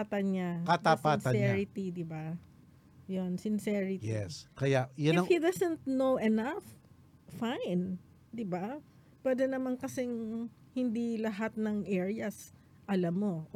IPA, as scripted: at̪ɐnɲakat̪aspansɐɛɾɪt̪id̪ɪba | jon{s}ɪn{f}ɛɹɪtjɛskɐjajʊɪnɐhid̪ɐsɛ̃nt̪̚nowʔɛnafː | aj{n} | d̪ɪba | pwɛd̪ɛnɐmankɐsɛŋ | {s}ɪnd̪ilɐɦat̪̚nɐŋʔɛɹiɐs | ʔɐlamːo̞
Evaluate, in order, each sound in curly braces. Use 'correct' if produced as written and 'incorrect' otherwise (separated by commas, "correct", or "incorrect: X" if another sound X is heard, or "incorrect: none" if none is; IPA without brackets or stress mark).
correct, incorrect: s, correct, incorrect: h